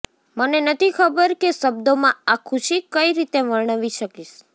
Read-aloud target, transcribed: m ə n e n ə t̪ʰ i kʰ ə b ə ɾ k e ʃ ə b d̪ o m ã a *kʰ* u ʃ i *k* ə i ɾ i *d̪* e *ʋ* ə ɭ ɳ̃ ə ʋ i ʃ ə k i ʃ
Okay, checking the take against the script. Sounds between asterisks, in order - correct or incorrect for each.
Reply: correct, correct, incorrect: t̪, correct

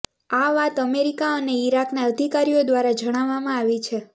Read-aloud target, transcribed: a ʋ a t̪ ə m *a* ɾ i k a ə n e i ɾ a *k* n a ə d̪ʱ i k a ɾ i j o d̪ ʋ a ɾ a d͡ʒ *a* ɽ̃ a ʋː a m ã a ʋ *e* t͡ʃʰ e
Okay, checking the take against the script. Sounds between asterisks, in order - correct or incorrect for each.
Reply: incorrect: e, correct, incorrect: ə, incorrect: i

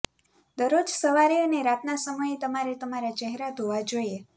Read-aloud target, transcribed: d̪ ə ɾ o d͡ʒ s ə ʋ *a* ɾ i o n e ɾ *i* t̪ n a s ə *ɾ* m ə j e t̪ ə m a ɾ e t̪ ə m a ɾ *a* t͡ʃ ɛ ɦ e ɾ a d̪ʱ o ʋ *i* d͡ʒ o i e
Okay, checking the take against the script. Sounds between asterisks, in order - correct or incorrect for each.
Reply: correct, incorrect: a, incorrect: none, correct, incorrect: a

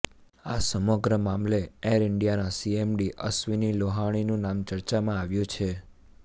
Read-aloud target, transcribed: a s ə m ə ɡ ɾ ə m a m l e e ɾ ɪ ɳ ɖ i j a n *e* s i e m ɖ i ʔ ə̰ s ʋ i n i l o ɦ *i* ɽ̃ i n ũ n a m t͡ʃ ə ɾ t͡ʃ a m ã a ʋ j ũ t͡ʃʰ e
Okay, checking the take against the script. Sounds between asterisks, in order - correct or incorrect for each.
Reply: incorrect: a, incorrect: a

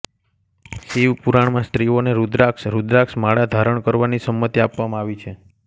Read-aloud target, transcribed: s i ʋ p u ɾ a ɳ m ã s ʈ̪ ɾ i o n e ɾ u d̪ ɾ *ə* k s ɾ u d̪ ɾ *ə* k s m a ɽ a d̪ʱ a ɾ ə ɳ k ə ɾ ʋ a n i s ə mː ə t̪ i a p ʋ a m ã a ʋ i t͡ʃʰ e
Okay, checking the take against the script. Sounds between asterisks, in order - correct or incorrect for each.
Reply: incorrect: a, incorrect: a

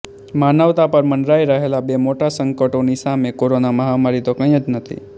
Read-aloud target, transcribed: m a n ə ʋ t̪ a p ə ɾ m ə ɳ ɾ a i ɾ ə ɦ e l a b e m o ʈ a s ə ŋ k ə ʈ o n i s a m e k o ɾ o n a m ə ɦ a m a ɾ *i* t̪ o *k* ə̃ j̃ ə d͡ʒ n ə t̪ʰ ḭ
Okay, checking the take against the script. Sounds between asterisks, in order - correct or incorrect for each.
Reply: correct, correct

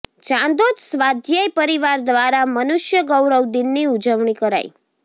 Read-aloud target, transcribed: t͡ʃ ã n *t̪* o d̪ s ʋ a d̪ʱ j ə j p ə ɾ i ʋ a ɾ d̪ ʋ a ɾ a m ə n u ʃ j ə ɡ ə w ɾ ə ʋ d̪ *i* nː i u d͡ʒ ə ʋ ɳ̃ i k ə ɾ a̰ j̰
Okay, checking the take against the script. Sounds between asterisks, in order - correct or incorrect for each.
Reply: incorrect: d̪, correct

